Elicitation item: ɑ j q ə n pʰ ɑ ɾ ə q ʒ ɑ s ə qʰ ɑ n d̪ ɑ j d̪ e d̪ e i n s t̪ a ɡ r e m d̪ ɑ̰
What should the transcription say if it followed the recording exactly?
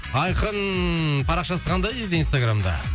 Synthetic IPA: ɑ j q ə n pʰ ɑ ɾ ɑ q ʃ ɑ s ə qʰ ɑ n d̪ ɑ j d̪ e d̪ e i n s t̪ a ɡ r a m d̪ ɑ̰